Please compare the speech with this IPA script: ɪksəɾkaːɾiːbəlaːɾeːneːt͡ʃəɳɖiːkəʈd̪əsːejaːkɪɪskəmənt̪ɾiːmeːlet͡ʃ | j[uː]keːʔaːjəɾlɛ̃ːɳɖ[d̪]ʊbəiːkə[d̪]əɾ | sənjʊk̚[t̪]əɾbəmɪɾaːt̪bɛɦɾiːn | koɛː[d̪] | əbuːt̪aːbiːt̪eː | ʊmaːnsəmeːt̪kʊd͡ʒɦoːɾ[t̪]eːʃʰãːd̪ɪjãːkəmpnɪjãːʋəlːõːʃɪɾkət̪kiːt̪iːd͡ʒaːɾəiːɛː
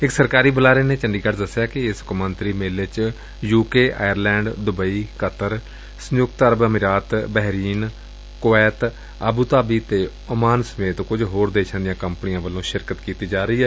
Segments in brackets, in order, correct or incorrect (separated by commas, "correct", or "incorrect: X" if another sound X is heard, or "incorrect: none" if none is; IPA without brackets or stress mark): correct, correct, incorrect: t̪, correct, incorrect: t̪, incorrect: d̪